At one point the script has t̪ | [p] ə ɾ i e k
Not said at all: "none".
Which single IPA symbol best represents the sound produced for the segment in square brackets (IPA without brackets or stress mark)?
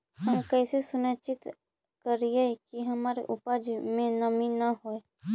k